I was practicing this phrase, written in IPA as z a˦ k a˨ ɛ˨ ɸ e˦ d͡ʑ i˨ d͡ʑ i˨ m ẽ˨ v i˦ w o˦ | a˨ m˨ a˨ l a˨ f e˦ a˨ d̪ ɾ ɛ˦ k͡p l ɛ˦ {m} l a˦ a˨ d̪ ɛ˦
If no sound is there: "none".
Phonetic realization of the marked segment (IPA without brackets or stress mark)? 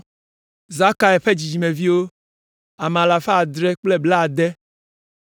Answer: b